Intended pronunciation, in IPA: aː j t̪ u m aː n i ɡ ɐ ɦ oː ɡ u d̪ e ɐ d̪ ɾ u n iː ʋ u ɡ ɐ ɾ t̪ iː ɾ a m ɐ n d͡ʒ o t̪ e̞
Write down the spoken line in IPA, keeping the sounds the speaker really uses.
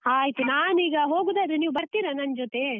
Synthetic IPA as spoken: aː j t̪ u n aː n iː ɡ ɐ ɦ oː ɡ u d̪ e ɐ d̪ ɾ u n iː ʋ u b ɐ ɾ t̪ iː ɾ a n ɐ n d͡ʒ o t̪ e̞